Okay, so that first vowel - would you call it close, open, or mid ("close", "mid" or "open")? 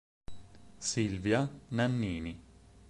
close